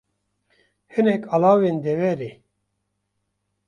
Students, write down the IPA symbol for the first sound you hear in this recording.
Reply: h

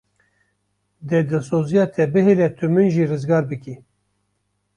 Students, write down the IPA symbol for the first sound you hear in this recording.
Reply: d̪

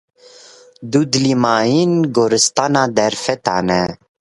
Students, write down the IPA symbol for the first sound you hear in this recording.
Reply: d̪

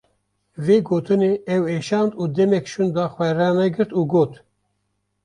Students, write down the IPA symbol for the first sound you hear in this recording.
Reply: v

